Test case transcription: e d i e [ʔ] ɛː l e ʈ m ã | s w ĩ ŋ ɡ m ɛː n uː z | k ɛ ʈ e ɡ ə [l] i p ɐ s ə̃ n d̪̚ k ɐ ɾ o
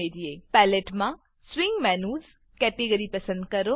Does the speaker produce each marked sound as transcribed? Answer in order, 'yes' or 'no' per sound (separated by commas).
no, no